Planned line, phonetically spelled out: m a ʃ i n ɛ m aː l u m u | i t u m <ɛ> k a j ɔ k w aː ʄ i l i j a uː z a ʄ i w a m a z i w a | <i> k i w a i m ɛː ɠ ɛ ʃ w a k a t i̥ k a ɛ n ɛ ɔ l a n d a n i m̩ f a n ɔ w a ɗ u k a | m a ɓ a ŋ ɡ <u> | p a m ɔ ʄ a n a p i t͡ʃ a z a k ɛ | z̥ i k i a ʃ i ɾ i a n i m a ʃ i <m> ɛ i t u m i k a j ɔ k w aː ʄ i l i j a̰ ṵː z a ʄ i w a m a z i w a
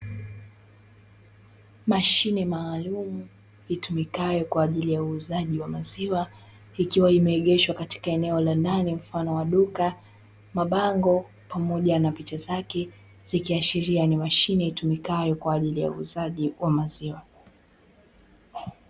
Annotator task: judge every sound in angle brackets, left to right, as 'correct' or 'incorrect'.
incorrect, correct, incorrect, incorrect

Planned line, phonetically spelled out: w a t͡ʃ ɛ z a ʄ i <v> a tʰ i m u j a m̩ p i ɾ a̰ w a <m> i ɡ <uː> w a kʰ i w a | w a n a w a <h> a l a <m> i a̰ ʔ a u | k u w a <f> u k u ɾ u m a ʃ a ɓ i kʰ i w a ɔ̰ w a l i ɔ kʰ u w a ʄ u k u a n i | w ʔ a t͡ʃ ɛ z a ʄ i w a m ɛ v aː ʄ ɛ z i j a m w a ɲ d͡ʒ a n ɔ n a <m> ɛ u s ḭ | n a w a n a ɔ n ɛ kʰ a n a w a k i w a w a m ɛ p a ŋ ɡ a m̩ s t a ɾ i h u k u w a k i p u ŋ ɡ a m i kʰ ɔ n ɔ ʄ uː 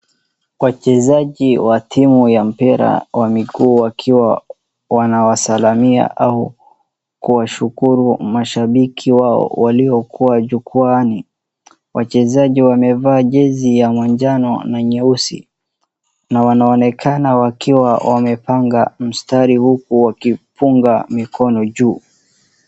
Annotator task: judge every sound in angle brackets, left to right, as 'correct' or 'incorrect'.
incorrect, correct, correct, incorrect, correct, incorrect, incorrect

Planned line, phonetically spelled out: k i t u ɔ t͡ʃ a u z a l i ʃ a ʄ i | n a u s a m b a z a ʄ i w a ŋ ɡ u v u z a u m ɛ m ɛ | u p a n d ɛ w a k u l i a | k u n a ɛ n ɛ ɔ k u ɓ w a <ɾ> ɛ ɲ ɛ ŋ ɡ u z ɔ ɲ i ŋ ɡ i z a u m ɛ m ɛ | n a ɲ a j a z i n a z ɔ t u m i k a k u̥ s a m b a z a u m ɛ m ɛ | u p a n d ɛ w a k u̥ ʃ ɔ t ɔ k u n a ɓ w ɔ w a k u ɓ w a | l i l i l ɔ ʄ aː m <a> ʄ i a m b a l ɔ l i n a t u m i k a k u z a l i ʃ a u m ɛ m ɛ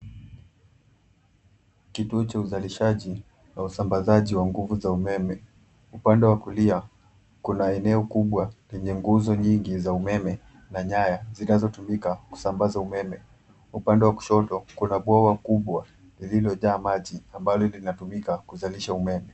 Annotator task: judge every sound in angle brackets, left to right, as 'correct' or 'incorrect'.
incorrect, correct

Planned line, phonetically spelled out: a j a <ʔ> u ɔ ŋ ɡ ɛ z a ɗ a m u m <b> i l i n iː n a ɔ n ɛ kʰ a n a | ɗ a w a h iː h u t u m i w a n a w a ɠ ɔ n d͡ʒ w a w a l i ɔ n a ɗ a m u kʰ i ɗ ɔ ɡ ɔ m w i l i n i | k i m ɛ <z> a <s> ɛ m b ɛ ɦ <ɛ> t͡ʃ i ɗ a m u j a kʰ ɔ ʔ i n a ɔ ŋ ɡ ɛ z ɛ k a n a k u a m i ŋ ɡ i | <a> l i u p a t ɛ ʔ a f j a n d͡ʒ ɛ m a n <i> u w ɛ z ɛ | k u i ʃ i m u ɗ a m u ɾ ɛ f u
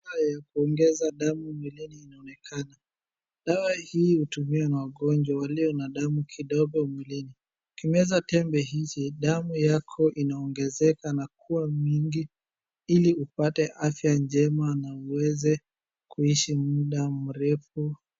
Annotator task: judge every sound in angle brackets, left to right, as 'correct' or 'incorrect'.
incorrect, incorrect, correct, incorrect, incorrect, incorrect, incorrect

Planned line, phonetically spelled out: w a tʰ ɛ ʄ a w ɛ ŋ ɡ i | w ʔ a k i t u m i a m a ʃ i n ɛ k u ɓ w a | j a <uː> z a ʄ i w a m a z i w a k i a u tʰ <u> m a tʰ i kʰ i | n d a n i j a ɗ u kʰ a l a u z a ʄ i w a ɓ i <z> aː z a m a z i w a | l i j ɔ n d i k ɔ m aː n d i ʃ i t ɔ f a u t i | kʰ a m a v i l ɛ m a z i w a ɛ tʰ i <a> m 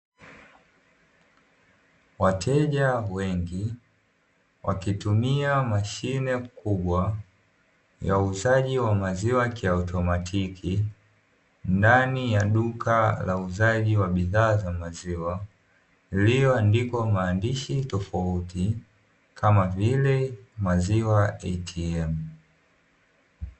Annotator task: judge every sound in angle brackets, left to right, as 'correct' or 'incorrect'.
incorrect, incorrect, incorrect, incorrect

